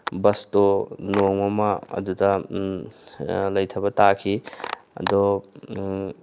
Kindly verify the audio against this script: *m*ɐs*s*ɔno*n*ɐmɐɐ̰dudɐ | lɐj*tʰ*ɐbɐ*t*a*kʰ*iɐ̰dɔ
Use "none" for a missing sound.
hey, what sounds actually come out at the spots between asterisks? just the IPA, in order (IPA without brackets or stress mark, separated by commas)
b, t, ŋ, tʰ, t, kʰ